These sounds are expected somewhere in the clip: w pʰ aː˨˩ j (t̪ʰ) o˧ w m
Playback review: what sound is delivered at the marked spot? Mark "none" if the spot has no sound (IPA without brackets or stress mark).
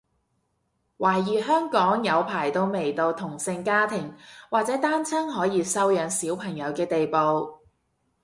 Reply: t̪